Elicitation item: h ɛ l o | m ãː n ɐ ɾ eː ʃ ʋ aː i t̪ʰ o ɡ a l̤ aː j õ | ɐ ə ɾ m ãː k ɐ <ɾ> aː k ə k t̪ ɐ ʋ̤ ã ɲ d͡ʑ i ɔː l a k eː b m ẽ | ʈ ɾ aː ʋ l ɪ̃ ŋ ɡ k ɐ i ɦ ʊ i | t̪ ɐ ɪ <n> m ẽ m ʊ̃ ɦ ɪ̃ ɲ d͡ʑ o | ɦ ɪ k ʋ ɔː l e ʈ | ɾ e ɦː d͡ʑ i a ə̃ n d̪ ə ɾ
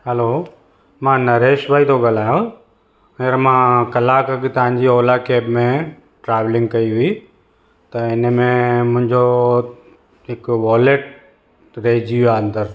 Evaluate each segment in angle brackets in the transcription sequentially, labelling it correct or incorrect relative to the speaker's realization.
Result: incorrect: l, correct

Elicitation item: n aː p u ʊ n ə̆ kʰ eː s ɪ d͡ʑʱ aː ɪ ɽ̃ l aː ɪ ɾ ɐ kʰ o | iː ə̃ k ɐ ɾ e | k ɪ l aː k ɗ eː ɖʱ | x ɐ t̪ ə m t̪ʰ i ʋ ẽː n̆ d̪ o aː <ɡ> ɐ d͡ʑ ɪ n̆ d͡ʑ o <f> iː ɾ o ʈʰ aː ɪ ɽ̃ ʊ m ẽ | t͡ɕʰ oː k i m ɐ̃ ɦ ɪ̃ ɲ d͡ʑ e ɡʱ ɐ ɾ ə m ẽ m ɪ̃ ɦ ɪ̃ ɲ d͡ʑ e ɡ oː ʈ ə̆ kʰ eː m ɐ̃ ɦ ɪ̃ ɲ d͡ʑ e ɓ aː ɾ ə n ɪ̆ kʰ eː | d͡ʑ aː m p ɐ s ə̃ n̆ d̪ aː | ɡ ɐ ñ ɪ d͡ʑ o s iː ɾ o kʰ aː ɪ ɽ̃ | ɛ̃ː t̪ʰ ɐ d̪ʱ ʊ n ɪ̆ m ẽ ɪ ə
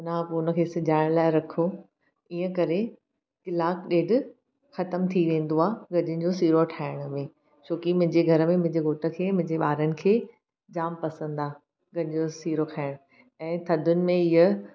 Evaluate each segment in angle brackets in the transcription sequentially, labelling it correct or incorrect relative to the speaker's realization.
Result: correct, incorrect: s

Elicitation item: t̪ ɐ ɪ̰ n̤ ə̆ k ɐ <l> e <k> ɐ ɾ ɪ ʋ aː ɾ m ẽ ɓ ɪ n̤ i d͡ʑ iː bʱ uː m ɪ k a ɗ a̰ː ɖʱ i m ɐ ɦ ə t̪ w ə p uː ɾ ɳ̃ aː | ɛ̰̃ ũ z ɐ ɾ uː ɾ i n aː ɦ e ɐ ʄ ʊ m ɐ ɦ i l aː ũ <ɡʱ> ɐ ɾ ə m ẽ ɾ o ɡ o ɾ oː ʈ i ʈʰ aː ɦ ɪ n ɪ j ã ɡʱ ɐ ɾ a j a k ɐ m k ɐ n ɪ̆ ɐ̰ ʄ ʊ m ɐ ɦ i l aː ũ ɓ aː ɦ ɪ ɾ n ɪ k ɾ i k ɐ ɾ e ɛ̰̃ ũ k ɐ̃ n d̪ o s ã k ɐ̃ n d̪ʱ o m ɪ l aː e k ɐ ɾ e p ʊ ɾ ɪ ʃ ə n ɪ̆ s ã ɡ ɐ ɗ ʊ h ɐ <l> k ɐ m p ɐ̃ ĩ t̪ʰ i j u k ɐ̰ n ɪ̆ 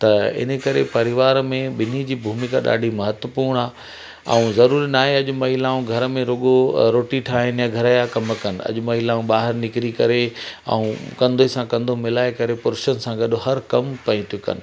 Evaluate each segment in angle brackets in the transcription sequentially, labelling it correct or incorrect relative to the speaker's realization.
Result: incorrect: ɾ, incorrect: p, correct, incorrect: ɾ

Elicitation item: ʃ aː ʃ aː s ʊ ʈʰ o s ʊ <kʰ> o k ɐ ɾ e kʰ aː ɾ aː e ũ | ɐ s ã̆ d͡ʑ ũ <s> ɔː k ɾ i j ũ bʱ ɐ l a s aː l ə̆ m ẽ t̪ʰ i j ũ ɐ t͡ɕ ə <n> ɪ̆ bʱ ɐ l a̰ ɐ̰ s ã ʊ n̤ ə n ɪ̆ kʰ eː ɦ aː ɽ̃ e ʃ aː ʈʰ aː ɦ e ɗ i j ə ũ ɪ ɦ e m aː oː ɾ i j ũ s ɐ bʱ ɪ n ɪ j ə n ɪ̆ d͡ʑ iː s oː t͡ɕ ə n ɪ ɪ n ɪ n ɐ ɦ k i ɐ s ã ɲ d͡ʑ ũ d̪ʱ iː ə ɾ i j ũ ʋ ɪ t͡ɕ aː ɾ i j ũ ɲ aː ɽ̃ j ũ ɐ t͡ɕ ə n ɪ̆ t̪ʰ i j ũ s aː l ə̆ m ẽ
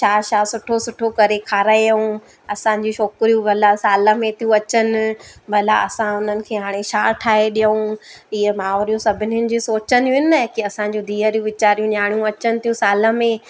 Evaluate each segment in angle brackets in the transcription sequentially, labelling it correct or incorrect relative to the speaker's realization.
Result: incorrect: ʈʰ, incorrect: ʃ, correct

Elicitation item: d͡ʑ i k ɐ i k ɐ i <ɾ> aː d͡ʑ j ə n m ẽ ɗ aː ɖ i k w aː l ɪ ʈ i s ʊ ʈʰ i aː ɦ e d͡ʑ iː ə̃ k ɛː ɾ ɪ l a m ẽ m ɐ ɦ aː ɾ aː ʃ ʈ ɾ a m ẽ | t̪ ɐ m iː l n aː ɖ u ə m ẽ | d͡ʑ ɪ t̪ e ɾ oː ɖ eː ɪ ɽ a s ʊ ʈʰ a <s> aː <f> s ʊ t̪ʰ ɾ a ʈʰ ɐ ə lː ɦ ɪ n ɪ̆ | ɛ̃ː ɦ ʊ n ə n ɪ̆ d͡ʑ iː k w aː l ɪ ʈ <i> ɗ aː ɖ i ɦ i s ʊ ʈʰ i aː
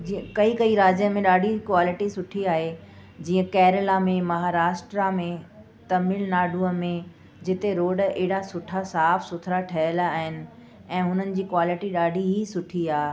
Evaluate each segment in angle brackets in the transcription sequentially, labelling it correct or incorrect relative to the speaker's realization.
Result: correct, correct, correct, correct

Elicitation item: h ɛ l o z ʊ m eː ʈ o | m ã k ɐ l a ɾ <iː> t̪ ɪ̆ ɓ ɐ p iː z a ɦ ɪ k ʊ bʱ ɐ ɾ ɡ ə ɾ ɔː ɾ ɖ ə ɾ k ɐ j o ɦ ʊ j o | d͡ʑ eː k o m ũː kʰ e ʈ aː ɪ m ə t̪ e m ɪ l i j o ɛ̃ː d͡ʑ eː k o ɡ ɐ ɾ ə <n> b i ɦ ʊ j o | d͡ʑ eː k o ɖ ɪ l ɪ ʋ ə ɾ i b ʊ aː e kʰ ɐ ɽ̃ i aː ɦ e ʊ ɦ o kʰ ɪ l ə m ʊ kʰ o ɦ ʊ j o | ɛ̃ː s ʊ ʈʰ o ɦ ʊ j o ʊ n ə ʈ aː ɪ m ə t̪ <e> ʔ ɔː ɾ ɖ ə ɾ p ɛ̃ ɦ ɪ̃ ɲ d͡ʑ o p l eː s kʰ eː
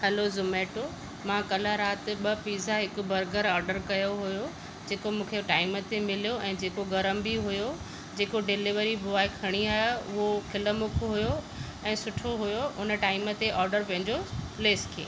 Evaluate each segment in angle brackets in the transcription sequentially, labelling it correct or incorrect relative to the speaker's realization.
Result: incorrect: aː, incorrect: m, correct

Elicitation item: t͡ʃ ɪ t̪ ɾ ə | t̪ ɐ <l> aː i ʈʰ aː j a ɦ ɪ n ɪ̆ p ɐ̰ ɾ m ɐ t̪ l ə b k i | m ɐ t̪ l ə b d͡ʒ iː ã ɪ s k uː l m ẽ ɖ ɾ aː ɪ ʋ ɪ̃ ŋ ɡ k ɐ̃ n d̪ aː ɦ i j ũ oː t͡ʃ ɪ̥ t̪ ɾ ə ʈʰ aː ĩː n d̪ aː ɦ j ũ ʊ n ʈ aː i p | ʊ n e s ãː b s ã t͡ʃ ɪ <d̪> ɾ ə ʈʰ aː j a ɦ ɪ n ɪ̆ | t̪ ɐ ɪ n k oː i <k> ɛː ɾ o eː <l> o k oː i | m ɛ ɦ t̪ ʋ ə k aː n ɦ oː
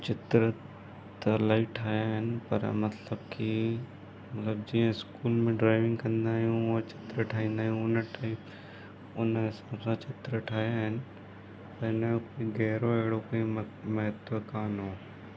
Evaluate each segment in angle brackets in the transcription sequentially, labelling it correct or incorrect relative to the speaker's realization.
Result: correct, incorrect: t̪, incorrect: ɡ, incorrect: ɽ

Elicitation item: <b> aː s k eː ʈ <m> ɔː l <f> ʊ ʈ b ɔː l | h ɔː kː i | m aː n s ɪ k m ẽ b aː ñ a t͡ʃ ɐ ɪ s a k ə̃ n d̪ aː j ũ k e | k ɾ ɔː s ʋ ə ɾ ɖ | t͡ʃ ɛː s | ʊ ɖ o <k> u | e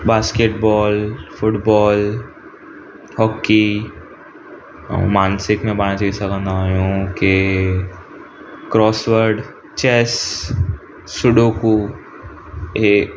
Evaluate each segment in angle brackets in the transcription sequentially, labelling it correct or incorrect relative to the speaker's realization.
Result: correct, incorrect: b, correct, correct

